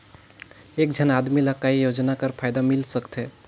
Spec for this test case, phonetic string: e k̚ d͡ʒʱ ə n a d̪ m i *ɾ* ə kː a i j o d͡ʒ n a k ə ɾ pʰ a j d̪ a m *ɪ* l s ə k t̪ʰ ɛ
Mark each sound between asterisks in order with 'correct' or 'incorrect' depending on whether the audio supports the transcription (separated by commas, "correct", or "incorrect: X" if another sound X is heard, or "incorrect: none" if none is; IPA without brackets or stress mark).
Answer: incorrect: l, incorrect: i